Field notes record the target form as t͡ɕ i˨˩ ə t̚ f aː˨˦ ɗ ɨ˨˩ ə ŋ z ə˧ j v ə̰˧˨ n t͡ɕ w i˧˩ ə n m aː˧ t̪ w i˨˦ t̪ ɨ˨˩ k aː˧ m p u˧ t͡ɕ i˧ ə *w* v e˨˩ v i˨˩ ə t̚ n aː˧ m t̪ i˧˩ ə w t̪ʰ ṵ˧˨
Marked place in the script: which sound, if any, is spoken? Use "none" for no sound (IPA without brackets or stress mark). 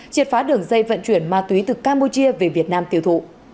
none